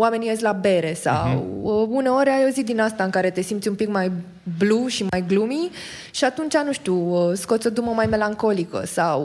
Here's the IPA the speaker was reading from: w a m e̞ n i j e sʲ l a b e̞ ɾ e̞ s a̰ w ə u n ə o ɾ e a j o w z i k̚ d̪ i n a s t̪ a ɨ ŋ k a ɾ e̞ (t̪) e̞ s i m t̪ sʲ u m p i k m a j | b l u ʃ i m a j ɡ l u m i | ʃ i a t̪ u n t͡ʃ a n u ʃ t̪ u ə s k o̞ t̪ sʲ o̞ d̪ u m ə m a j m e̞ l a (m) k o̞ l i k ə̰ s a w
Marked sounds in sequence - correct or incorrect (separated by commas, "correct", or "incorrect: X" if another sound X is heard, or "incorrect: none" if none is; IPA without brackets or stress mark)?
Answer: correct, incorrect: ŋ